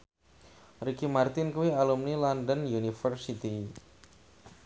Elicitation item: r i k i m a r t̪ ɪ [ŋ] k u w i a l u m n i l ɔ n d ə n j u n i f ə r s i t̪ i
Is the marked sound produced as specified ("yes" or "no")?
no